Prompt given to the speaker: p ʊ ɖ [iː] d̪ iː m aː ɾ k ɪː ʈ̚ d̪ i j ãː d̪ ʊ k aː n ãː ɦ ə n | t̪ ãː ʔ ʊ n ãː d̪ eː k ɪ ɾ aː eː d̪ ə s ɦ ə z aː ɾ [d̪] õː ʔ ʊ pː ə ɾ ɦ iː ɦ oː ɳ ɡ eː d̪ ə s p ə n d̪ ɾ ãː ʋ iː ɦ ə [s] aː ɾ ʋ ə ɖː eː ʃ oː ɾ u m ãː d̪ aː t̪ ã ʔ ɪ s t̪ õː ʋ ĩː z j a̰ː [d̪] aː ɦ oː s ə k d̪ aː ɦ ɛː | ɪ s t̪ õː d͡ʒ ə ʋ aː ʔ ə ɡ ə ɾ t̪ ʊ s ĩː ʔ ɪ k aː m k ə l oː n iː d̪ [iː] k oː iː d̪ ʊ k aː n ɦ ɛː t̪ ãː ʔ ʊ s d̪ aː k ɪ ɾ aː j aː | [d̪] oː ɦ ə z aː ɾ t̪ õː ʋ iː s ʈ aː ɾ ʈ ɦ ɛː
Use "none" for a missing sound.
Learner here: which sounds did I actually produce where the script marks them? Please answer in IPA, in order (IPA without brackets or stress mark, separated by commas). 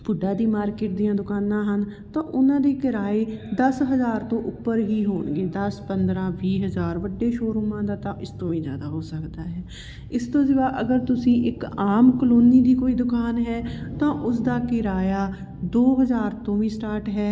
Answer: aː, t̪, z, d̪, iː, d̪